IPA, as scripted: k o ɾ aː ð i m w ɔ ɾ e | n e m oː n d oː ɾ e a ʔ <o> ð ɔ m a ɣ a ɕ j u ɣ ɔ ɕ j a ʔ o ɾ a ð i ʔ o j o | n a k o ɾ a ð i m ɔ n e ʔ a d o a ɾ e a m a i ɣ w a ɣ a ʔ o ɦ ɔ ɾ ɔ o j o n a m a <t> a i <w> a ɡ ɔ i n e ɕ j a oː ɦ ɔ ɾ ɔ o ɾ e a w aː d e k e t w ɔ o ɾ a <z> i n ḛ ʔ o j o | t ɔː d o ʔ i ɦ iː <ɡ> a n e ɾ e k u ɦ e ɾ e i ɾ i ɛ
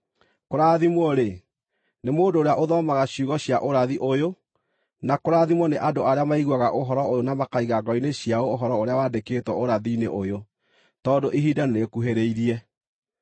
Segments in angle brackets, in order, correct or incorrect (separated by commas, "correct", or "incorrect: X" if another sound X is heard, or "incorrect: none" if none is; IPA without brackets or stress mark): correct, incorrect: k, incorrect: ɣ, incorrect: ð, incorrect: d